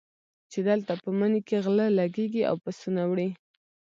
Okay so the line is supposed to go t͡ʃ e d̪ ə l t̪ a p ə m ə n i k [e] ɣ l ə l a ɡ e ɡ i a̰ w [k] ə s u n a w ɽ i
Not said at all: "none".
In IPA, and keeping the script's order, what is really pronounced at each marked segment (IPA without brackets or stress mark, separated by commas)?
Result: e, p